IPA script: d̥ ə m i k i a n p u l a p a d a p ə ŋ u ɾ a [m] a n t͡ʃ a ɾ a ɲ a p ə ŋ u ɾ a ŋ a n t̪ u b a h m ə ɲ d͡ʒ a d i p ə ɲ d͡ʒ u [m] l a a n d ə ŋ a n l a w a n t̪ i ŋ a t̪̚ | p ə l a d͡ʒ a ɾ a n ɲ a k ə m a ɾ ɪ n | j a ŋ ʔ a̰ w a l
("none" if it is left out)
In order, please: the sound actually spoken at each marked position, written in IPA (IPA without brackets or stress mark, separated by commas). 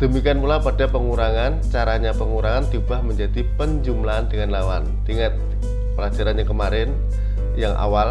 ŋ, m